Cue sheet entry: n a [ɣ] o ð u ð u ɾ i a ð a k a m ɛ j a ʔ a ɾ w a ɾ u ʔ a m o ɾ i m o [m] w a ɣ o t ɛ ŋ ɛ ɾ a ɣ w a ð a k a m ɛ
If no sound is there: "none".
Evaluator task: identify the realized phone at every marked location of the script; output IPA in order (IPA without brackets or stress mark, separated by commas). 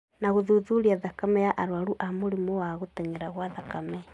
ɣ, none